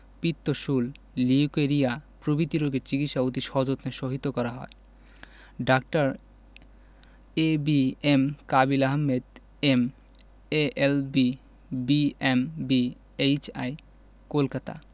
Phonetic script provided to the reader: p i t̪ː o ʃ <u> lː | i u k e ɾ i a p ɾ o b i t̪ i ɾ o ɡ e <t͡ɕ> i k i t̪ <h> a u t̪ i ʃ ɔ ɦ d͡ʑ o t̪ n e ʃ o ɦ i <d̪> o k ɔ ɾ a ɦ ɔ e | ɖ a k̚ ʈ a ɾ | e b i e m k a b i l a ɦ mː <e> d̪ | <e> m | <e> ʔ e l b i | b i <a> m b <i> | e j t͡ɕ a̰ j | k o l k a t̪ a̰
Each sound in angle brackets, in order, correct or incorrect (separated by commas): correct, correct, incorrect, incorrect, correct, correct, correct, incorrect, correct